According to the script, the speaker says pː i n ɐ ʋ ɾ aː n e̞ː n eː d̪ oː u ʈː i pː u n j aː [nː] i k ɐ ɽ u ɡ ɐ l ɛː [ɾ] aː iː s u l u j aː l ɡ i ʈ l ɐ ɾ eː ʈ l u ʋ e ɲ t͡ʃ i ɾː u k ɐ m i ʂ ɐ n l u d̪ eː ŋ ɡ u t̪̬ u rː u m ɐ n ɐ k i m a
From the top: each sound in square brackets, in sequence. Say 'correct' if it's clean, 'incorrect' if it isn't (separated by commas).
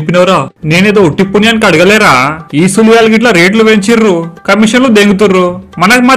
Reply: incorrect, correct